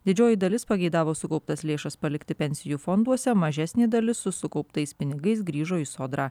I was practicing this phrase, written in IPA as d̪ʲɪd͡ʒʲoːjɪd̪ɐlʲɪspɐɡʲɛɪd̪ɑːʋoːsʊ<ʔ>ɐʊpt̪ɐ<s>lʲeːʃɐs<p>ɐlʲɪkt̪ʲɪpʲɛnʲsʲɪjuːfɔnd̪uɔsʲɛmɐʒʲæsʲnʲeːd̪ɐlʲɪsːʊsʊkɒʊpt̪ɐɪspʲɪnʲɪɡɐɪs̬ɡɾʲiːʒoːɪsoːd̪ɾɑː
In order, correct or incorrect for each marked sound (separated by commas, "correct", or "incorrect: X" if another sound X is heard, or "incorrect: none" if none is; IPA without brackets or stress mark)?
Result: incorrect: k, correct, correct